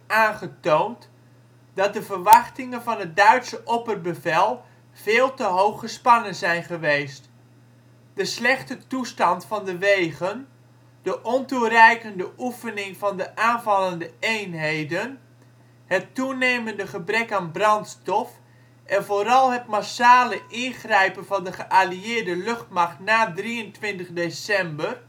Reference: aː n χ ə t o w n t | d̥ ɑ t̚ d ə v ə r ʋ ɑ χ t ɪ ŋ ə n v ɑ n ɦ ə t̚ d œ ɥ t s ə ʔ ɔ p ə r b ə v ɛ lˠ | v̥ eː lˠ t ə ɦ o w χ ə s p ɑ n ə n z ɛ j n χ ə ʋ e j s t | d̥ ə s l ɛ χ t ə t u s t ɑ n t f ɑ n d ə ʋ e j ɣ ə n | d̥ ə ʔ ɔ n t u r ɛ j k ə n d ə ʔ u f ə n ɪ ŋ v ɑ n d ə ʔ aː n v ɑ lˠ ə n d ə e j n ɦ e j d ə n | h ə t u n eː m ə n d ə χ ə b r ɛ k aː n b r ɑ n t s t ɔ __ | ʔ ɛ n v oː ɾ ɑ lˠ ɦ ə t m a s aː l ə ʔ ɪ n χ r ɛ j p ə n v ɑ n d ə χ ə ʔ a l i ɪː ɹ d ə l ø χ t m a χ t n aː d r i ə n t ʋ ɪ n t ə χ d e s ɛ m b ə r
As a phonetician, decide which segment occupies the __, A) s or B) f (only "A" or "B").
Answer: B